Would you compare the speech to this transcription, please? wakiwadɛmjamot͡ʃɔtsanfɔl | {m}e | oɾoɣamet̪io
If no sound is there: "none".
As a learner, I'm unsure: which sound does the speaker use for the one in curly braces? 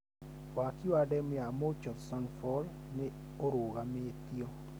n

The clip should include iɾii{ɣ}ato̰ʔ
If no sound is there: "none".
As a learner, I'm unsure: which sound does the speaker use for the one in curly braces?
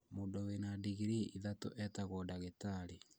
ð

